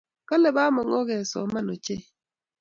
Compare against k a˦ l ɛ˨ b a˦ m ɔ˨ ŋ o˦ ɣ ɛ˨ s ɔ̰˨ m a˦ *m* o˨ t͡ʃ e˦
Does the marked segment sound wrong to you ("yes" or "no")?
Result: yes